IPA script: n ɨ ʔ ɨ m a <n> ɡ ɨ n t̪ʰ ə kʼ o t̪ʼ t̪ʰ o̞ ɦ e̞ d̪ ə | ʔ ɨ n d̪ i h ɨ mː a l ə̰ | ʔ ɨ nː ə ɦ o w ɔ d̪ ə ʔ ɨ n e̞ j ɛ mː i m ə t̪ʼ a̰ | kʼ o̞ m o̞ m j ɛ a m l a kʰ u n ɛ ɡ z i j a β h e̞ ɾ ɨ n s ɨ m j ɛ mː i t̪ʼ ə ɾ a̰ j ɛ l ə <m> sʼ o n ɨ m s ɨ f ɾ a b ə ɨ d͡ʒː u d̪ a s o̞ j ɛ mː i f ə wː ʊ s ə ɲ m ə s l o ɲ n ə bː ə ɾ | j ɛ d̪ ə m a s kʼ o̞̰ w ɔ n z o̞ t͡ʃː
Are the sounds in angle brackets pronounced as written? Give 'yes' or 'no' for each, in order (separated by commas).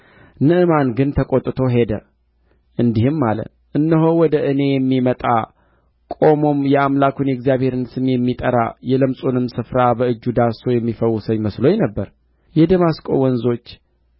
yes, yes